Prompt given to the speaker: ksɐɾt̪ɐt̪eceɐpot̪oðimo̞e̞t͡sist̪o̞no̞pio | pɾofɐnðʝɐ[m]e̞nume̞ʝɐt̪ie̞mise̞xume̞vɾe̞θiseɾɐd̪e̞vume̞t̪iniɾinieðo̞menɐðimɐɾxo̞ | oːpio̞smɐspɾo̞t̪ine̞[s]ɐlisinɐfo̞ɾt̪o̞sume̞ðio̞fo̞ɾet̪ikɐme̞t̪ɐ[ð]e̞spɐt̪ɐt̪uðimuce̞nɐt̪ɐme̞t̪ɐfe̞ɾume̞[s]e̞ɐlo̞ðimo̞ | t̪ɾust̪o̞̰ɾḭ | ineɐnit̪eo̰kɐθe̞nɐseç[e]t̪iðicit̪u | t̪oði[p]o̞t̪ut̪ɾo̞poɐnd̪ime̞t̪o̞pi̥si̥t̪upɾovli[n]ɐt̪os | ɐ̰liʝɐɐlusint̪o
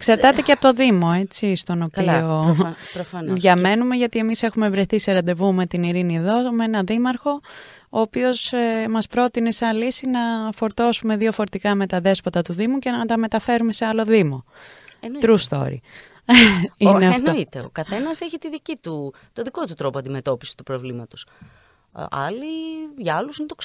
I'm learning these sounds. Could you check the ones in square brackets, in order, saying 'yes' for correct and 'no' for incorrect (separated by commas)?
yes, yes, yes, yes, no, no, no